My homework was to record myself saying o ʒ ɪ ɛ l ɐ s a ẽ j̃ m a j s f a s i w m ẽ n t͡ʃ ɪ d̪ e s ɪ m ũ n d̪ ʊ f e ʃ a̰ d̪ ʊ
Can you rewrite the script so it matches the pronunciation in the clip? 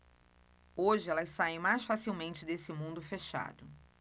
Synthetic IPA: o ʒ ɪ ɛ l ɐ s a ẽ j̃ m a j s f a s i w m ẽ n t͡ʃ ɪ d̪ e s ɪ m ũ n d̪ ʊ f e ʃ a̰ d̪ ʊ